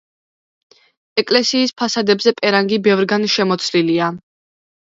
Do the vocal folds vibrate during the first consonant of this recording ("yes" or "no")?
no